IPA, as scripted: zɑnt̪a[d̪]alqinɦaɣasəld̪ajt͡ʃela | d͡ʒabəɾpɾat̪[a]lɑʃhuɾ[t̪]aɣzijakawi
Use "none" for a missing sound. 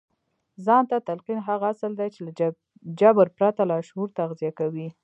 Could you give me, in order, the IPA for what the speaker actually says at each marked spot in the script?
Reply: t̪, a, t̪

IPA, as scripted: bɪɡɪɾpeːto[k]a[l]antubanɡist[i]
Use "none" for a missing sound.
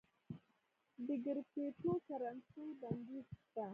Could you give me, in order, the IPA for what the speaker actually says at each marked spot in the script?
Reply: k, ɾ, a

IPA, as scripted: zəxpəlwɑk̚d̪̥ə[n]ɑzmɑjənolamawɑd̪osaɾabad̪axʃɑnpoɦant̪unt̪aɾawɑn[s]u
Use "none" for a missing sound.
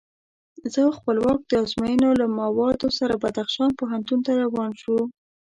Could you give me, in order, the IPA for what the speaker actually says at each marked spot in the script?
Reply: none, ʃ

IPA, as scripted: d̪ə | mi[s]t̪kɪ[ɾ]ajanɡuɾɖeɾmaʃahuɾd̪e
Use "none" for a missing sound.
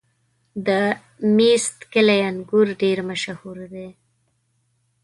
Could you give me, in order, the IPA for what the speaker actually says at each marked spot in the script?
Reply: s, l

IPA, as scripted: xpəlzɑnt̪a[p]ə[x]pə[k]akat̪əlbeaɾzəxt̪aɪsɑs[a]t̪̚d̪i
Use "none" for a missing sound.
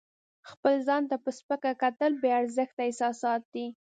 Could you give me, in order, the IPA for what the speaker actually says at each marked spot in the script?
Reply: p, s, k, ɑ

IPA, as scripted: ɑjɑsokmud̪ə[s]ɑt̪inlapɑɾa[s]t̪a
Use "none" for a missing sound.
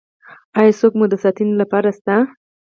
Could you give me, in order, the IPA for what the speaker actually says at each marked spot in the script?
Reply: s, s

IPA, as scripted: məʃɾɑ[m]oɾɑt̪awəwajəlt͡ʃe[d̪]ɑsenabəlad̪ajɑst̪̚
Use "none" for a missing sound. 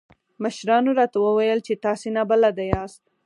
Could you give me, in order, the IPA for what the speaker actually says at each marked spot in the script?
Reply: n, t̪

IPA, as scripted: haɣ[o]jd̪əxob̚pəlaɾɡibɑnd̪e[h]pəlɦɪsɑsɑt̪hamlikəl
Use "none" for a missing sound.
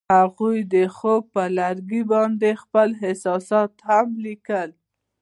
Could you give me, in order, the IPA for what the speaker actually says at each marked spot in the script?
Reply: u, x

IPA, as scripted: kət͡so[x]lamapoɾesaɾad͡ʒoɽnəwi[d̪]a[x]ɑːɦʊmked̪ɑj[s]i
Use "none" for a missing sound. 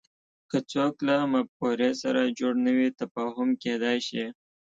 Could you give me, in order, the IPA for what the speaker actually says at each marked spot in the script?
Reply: k, t̪, f, ʃ

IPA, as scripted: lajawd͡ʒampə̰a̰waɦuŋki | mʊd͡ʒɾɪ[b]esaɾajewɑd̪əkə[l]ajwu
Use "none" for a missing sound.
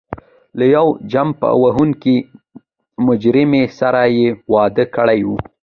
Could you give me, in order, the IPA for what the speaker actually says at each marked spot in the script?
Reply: m, ɽ

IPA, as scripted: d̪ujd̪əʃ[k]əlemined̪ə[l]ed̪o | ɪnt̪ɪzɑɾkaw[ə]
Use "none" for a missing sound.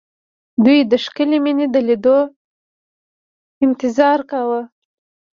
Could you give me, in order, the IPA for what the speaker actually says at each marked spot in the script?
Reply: k, l, ə

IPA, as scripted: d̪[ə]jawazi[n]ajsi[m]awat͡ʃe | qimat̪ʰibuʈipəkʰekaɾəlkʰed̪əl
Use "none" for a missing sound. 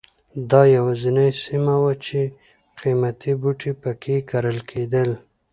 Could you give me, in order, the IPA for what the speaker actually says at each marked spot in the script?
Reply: ɑ, n, m

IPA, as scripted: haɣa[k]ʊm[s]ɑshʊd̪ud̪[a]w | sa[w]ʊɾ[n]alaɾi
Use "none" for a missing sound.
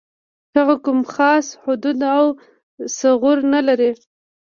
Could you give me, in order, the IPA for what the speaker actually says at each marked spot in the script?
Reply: k, x, a, ɣ, n

